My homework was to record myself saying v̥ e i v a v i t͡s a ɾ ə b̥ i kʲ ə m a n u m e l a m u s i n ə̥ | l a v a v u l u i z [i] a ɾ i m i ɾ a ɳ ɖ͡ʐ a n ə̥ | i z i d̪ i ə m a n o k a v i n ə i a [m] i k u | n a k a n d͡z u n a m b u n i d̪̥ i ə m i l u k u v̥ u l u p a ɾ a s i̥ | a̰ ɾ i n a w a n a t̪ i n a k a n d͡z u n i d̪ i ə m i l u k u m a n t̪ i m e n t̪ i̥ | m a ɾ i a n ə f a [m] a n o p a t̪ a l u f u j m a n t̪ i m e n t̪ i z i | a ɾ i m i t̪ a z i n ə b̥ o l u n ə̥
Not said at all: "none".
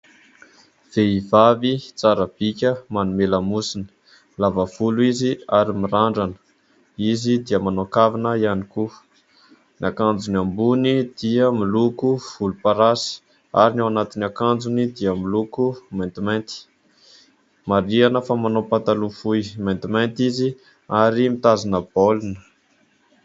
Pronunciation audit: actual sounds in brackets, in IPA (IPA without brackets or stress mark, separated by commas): i, n, m